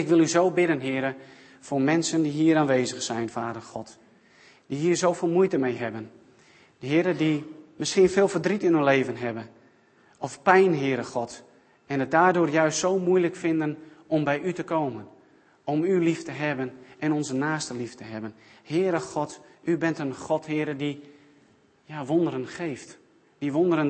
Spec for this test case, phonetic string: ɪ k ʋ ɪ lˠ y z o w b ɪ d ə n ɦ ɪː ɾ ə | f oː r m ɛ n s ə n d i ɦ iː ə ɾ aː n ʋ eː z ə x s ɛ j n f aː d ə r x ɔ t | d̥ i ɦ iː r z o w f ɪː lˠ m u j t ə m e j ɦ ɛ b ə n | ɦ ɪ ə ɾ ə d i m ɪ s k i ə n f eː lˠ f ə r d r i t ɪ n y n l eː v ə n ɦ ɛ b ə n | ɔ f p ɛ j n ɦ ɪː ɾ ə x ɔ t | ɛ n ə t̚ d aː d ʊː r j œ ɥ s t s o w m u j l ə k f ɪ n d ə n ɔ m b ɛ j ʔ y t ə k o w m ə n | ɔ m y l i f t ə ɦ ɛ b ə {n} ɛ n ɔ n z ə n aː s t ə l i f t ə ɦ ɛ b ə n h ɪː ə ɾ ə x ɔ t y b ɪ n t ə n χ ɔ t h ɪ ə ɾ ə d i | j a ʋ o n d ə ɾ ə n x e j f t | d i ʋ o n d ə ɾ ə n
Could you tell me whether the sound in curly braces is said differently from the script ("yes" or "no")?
no